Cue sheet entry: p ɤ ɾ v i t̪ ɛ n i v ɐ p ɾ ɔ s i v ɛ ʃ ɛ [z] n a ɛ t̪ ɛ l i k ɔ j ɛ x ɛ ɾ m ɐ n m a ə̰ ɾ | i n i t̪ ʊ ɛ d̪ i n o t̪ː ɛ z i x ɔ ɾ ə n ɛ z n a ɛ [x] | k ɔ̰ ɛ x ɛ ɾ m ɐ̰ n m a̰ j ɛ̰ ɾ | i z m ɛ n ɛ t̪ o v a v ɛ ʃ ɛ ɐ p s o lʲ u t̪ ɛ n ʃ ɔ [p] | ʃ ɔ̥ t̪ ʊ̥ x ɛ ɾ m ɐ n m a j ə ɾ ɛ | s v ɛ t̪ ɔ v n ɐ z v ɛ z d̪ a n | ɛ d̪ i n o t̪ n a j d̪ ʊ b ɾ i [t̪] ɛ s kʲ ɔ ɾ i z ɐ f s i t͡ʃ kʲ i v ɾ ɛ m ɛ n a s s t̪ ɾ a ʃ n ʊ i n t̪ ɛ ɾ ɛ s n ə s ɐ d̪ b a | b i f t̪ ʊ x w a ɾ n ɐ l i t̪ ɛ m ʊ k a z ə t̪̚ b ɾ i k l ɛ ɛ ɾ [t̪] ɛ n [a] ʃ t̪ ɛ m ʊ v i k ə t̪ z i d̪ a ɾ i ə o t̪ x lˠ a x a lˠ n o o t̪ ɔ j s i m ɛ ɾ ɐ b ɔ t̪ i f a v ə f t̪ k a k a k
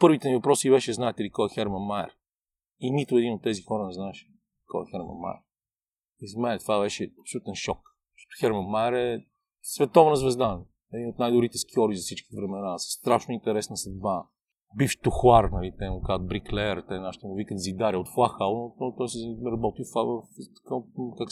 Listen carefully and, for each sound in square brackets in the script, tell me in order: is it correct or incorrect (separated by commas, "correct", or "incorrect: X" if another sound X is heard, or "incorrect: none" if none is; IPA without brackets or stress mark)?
correct, incorrect: ʃ, incorrect: k, correct, correct, correct